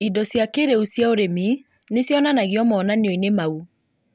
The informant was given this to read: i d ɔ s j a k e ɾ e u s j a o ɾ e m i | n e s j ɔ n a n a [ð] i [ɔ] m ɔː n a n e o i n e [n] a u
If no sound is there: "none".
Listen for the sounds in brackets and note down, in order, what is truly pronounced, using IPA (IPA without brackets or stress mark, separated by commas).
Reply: ɣ, ɔ, m